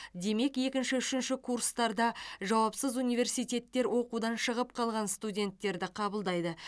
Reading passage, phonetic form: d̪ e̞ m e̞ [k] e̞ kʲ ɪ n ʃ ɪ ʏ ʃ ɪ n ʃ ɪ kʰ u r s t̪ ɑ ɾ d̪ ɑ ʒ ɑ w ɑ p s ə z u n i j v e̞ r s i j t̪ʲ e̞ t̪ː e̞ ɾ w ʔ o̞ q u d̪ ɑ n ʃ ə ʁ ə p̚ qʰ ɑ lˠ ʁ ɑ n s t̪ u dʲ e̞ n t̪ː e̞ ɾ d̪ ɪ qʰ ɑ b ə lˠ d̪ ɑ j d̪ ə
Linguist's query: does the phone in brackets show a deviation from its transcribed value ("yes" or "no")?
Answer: no